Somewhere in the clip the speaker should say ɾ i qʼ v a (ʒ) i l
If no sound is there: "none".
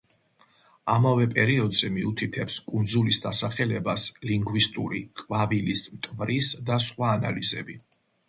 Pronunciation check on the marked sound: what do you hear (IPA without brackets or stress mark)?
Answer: v